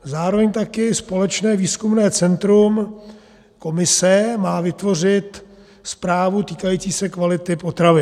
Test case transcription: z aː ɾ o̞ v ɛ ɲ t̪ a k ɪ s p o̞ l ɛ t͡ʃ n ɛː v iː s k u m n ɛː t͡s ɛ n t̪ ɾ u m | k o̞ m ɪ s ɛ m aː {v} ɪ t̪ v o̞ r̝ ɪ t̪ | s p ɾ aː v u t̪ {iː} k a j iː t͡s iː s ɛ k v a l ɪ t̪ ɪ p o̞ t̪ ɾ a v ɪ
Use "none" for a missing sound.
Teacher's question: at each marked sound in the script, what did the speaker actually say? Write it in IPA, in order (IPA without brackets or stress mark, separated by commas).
v, iː